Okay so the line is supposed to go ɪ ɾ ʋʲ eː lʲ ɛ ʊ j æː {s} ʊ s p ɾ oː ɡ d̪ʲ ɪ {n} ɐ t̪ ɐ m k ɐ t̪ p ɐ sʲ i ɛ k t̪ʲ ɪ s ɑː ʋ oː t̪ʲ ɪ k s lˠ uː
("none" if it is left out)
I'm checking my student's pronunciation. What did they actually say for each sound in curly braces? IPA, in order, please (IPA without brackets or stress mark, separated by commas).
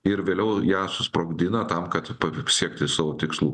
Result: s, n